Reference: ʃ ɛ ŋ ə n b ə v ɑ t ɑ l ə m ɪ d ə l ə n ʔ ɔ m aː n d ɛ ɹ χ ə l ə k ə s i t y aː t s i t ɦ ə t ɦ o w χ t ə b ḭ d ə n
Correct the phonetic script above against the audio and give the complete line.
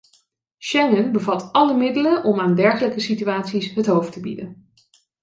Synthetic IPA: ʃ ɛ ŋ ə n b ə v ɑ t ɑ l ə m ɪ d ə l ə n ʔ ɔ m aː n d ɛ ɹ χ ə l ə k ə s i t y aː t s i s ɦ ə t ɦ o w f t ə b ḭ d ə n